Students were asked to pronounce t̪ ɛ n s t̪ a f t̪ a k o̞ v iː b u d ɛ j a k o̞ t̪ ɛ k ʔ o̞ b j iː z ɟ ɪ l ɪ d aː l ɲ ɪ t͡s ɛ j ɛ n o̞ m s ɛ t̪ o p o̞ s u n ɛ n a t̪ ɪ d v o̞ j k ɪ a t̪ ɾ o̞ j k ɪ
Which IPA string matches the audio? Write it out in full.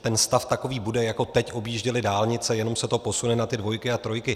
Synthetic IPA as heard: t̪ ɛ n s t̪ a f t̪ a k o̞ v iː b u d ɛ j a k o̞ t̪ ɛ c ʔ o̞ b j iː ʒ ɟ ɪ l ɪ d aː l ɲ ɪ t͡s ɛ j ɛ n o̞ m s ɛ t̪ o p o̞ s u n ɛ n a t̪ ɪ d v o̞ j k ɪ a t̪ ɾ o̞ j k ɪ